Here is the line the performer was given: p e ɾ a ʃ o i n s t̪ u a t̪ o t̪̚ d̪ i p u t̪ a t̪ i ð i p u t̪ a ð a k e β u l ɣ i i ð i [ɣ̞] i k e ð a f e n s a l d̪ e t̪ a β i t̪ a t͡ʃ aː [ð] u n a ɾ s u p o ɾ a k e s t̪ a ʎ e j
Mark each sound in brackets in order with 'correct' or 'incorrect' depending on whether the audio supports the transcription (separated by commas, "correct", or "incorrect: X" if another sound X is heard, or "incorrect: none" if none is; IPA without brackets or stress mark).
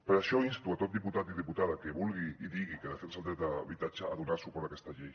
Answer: correct, correct